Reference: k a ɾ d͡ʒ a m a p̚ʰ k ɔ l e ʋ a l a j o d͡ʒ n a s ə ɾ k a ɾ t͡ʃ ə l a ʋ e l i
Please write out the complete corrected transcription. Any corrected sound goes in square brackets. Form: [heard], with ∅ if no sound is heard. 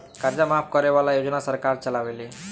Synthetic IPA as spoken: k a ɾ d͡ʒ a m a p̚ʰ k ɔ [ɾ] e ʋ a l a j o d͡ʒ n a s ə ɾ k a ɾ t͡ʃ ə l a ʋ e l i